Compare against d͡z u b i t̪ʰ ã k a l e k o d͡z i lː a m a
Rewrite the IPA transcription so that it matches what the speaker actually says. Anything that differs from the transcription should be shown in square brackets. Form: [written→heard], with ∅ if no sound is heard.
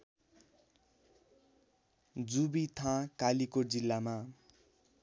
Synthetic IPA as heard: d͡z u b i t̪ʰ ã k a l [e→i] k o d͡z i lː a m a

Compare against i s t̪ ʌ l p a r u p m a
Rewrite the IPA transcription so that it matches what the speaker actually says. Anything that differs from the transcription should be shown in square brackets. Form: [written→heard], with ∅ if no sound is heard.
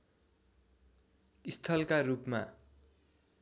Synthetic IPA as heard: i s [t̪→t̪ʰ] ʌ l [p→k] a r u p m a

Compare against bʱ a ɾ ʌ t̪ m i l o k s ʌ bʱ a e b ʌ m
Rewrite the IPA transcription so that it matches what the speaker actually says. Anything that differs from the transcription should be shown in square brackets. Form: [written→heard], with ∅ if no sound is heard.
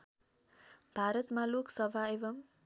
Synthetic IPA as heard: bʱ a ɾ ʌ t̪ m [i→a] l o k s ʌ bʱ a e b ʌ m

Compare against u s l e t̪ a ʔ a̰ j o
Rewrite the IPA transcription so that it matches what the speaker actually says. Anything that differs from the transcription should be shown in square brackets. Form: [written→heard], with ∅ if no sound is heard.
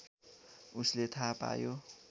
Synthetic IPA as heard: u s l e [t̪→t̪ʰ] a [ʔ→p] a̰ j o

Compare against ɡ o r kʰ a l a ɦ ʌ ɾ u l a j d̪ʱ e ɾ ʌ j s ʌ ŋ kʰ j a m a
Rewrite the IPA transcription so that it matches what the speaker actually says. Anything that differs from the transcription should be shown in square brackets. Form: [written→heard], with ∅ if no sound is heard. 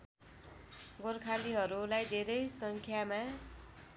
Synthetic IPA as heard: ɡ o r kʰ a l [a→i] ɦ ʌ ɾ u l a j d̪ʱ e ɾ ʌ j s ʌ ŋ kʰ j a m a

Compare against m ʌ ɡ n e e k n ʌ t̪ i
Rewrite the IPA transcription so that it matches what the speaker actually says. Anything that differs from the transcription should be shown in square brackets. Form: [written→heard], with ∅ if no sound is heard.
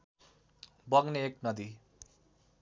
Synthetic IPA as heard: [m→b] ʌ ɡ n e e k n ʌ [t̪→d̪] i

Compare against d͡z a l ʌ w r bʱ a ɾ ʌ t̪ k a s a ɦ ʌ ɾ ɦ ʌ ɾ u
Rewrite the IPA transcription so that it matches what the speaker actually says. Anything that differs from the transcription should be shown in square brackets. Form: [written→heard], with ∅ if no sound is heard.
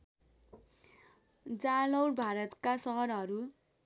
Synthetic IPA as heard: d͡z a l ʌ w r bʱ a ɾ ʌ t̪ k a s [a→ʌ] ɦ ʌ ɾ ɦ ʌ ɾ u

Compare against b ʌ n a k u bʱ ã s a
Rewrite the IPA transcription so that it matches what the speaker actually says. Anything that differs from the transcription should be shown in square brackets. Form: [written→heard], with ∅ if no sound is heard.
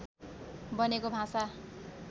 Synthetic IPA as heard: b ʌ n [a→e] k [u→o] bʱ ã s a

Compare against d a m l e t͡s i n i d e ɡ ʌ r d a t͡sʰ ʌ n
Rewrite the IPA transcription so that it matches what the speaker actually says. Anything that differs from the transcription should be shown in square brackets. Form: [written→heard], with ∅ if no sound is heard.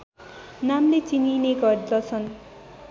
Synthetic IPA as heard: [d→n] a m l e t͡s i n i [d→n] e ɡ ʌ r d [a→ʌ] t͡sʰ ʌ n

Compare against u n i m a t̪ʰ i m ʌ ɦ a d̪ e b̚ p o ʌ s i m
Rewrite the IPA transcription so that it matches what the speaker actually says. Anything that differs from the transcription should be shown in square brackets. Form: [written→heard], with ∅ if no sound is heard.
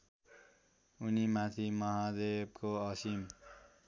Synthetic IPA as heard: u n i m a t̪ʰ i m ʌ ɦ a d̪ e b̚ [p→k] o ʌ s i m

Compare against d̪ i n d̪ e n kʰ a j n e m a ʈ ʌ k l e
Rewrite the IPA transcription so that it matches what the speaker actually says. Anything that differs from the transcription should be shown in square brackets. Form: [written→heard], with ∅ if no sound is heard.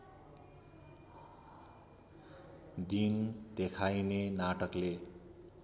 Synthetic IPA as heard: d̪ i n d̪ e [n→∅] kʰ a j n e [m→n] a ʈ ʌ k l e

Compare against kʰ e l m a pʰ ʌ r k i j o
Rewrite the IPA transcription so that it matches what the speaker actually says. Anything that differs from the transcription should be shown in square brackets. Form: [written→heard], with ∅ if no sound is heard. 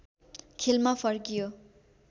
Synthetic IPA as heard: kʰ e l m a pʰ ʌ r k i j o

